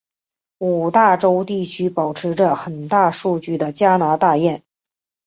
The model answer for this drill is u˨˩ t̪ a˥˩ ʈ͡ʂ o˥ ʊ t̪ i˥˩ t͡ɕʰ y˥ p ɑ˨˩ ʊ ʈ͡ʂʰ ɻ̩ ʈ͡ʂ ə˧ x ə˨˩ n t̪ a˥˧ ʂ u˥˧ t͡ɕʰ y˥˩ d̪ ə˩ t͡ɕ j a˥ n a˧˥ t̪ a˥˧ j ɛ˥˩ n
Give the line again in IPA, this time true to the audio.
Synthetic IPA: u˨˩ t̪ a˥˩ ʈ͡ʂ o˥ ʊ t̪ i˥˩ t͡ɕʰ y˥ p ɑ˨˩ ʊ ʈ͡ʂʰ ɻ̩ ʈ͡ʂ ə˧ x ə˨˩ n t̪ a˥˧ ʂ u˥˧ t͡ɕ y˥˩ d̪ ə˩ t͡ɕ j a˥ n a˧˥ t̪ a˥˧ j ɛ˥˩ n